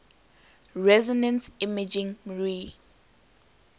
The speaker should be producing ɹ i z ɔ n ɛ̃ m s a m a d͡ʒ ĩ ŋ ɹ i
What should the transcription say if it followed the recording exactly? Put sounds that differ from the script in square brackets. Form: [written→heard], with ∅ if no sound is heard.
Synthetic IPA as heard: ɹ [i→ɛ] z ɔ n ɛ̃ [m→n] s [a→i] m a d͡ʒ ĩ ŋ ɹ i